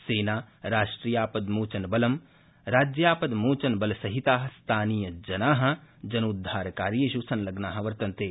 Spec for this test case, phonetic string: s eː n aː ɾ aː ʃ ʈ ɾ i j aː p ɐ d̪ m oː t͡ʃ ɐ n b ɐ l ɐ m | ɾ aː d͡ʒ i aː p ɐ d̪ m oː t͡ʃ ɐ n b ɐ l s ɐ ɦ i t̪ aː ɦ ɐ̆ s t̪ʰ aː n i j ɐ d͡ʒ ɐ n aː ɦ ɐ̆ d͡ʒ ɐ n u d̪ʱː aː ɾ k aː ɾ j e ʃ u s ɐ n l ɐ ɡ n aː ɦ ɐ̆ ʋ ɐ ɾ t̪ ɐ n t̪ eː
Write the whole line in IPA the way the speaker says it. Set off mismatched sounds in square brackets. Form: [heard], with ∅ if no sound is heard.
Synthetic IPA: s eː n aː ɾ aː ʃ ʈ ɾ i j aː p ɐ d̪ m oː t͡ʃ ɐ n b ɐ l ɐ m | ɾ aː d͡ʒ [j] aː p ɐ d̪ m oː t͡ʃ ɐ n b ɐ l s ɐ ɦ i t̪ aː ɦ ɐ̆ s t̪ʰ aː n i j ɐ d͡ʒ ɐ n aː ɦ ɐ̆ d͡ʒ ɐ n u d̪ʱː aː ɾ k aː ɾ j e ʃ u s ɐ n l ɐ ɡ n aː ɦ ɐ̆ ʋ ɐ ɾ t̪ ɐ n t̪ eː